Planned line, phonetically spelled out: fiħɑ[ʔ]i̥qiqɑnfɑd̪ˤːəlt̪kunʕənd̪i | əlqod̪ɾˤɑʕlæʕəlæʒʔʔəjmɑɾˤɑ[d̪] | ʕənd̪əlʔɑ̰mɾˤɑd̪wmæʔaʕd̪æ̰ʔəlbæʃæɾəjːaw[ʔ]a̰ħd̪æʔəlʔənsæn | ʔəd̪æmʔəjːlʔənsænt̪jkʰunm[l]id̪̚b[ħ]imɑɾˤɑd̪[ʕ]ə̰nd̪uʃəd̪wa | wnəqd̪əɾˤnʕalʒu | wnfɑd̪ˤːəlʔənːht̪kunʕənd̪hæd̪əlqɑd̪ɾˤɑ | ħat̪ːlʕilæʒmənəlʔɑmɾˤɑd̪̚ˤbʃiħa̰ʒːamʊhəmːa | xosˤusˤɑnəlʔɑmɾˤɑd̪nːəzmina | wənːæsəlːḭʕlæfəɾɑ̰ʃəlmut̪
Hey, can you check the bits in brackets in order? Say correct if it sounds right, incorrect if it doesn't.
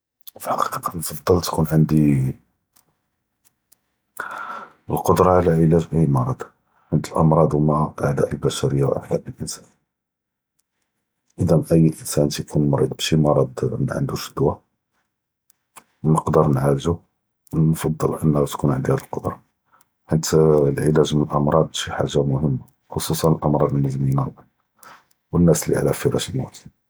incorrect: q, correct, correct, incorrect: ɾ, incorrect: ʃ, correct

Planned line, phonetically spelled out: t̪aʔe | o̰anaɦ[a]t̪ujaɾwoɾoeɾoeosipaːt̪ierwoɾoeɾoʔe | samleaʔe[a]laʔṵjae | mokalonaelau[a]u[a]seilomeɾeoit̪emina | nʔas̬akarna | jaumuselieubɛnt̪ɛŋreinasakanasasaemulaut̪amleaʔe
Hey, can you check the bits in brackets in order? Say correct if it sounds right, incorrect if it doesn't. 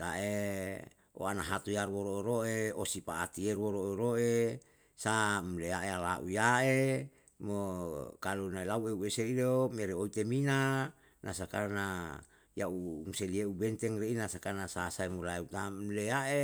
correct, correct, incorrect: e, incorrect: e

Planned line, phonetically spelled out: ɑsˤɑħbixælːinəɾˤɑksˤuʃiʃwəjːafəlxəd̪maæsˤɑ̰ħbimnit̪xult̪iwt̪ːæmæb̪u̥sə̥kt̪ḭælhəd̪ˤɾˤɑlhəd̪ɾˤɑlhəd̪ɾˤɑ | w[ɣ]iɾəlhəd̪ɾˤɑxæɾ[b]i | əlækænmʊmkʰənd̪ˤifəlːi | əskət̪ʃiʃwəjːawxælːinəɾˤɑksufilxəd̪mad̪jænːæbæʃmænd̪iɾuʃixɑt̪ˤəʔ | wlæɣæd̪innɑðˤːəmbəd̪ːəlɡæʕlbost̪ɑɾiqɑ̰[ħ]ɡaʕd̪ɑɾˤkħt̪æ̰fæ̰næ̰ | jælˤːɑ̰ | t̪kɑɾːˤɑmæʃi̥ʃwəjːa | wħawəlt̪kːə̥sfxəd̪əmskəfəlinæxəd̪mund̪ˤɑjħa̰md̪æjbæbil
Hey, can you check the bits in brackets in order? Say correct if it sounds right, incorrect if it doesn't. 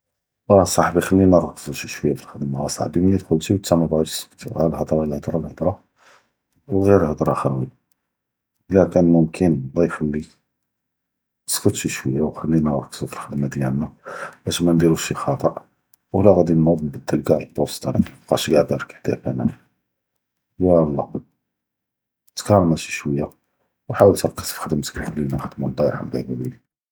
correct, incorrect: w, incorrect: ʃ

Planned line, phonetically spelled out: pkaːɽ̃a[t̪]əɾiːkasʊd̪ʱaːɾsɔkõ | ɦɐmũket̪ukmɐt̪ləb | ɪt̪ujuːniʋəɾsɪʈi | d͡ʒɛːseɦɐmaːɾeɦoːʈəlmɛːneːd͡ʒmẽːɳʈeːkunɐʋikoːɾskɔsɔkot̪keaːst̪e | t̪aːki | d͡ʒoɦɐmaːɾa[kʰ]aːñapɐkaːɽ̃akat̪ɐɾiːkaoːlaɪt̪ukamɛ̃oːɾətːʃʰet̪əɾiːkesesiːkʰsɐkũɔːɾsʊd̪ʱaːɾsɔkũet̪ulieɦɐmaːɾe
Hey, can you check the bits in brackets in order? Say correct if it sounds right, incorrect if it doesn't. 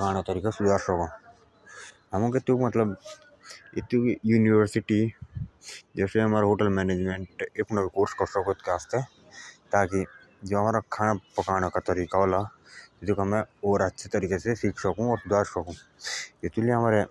correct, correct

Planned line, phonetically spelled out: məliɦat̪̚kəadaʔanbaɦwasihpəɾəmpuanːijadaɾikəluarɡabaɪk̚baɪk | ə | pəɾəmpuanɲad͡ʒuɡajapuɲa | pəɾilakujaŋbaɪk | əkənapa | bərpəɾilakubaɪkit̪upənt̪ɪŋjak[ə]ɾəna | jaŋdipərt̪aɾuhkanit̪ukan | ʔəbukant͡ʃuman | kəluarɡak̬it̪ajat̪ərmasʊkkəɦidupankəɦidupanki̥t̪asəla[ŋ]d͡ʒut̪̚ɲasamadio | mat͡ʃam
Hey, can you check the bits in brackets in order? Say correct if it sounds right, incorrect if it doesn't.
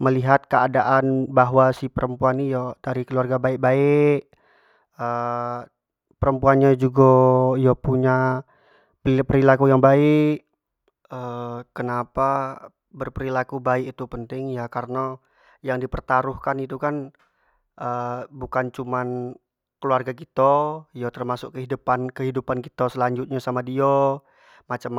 incorrect: a, incorrect: ɲ

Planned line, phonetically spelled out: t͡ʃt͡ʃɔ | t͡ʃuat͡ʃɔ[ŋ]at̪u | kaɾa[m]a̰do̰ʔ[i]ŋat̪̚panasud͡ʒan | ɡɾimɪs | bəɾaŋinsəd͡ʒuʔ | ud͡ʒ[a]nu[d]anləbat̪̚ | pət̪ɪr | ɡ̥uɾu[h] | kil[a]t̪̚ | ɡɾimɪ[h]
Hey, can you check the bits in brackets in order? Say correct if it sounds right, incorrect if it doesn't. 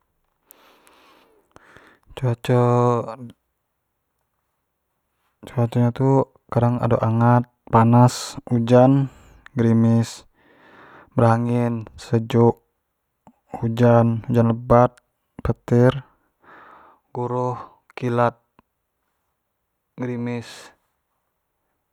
incorrect: ɲ, incorrect: ŋ, incorrect: a, correct, incorrect: d͡ʒ, correct, correct, incorrect: s

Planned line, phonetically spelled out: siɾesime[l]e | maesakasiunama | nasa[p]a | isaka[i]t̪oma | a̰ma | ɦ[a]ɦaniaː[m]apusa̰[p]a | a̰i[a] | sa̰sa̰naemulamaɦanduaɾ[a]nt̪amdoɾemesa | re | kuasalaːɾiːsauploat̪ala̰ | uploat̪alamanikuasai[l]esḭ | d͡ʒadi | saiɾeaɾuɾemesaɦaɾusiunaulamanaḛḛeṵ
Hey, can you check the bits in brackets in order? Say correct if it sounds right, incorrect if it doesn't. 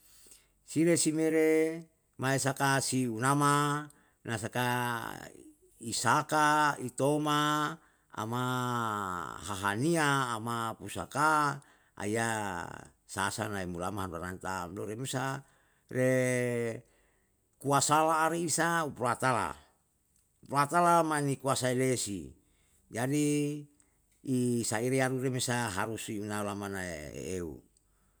incorrect: ɾ, incorrect: k, correct, correct, correct, incorrect: k, correct, correct, correct

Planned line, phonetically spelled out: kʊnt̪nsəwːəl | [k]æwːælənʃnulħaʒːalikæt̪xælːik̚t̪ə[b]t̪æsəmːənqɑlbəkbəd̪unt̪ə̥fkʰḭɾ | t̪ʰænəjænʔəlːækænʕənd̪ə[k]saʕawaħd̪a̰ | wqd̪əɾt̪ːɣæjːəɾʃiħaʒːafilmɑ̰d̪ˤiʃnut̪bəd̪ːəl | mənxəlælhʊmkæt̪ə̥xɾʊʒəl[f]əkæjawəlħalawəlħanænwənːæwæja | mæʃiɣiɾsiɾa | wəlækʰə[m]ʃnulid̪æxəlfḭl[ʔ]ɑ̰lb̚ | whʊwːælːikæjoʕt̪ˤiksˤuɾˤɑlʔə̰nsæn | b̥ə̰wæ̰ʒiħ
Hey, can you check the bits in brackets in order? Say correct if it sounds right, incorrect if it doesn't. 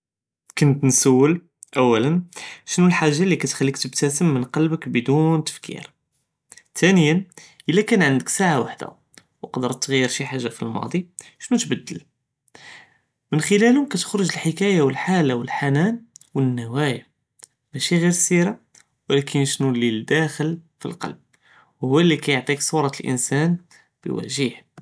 incorrect: ʔ, correct, correct, incorrect: ħ, incorrect: n, incorrect: q

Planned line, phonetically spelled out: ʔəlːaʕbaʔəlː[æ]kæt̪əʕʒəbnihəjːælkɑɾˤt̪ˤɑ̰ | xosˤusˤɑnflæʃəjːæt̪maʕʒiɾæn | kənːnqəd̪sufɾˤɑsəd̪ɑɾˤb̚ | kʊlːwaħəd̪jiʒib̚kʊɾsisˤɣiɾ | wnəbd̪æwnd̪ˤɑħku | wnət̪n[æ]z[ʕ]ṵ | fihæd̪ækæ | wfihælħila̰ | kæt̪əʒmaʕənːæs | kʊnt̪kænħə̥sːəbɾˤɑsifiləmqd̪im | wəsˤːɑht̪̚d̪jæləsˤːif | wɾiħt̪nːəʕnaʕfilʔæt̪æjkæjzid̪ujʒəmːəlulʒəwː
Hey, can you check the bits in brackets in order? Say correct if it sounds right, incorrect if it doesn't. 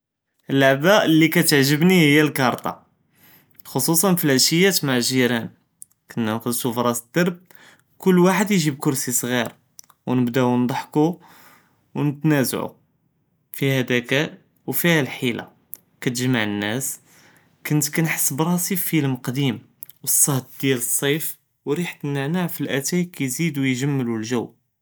incorrect: i, correct, correct

